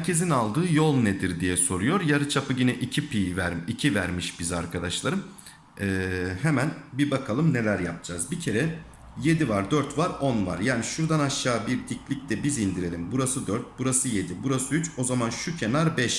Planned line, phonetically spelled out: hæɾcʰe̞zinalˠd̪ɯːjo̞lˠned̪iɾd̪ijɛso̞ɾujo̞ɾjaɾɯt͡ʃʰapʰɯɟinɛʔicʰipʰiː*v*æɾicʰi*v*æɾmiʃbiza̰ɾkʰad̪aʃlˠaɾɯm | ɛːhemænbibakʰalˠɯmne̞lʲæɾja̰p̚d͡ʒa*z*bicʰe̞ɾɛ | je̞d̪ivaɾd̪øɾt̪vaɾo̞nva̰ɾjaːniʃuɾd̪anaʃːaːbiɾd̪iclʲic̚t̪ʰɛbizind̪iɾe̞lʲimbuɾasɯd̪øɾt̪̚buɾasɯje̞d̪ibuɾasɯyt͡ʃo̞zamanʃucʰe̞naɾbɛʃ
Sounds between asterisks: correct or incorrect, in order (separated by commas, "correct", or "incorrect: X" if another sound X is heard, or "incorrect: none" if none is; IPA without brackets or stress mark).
correct, correct, correct